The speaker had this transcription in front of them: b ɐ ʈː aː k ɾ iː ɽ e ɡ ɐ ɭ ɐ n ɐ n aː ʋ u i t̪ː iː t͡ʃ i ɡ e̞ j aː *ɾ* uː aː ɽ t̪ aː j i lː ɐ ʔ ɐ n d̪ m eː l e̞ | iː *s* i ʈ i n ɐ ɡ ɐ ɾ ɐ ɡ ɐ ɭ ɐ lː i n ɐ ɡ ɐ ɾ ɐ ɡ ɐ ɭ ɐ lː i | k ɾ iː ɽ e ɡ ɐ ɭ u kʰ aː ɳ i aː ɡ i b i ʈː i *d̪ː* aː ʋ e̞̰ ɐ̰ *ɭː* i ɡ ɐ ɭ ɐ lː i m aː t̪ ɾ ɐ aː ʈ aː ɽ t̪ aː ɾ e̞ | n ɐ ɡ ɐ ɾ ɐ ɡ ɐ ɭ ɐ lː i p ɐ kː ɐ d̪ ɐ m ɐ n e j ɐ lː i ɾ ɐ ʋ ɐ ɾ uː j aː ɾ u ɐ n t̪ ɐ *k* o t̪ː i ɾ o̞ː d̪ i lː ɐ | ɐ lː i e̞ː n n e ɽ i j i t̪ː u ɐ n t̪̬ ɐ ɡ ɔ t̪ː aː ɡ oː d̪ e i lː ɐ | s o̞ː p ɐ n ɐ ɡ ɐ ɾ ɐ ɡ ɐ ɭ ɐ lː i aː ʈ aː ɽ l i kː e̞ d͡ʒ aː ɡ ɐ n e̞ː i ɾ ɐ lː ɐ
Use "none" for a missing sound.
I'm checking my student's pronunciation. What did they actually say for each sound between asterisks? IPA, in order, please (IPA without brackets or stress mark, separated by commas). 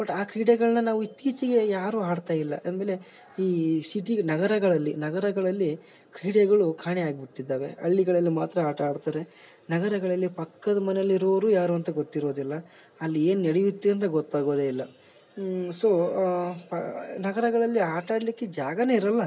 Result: ɾ, s, d̪ː, ɭː, ɡ